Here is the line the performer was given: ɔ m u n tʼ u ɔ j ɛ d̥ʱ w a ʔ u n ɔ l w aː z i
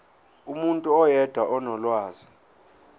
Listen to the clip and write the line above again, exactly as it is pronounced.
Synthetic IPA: u m u n tʼ u ɔ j ɛ d̥ʱ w a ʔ ɔ n ɔ l w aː z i